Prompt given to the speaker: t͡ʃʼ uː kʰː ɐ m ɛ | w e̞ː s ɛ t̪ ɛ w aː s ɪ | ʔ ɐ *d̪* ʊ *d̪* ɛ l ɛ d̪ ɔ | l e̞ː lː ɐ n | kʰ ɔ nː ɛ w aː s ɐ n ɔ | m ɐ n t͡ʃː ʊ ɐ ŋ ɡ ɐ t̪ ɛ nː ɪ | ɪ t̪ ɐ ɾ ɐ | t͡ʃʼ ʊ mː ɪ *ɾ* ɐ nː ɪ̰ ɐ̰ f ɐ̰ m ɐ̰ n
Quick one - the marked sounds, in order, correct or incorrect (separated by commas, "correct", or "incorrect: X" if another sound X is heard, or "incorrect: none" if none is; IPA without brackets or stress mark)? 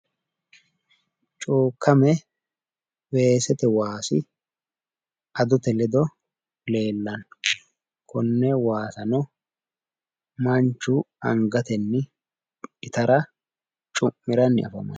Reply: correct, incorrect: t̪, correct